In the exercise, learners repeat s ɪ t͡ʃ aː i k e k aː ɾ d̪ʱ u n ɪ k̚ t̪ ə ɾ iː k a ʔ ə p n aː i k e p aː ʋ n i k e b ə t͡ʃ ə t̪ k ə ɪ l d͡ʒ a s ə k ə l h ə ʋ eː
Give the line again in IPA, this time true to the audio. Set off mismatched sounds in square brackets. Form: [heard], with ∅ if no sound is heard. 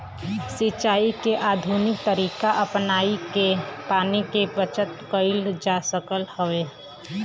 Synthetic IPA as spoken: s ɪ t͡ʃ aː i k e [ʔ] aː [∅] d̪ʱ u n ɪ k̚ t̪ ə ɾ iː k a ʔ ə p n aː i k e p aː [∅] n i k e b ə t͡ʃ ə t̪ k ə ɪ l d͡ʒ a s ə k ə l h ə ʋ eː